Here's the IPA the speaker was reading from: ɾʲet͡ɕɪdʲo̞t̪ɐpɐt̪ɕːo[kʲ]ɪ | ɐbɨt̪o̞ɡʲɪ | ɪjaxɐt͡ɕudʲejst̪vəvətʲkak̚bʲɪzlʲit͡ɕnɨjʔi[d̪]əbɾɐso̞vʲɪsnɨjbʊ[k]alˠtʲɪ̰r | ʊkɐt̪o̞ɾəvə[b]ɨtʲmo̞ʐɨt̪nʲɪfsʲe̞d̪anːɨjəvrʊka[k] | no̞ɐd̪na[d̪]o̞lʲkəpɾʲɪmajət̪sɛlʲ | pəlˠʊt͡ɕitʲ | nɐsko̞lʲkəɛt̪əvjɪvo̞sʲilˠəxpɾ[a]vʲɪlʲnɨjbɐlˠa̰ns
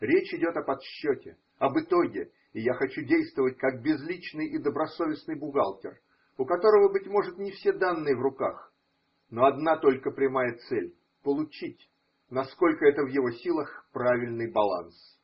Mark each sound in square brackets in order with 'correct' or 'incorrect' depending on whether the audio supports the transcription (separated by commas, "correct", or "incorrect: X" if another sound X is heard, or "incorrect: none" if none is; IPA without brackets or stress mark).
incorrect: tʲ, correct, incorrect: ɡ, correct, incorrect: x, incorrect: t̪, correct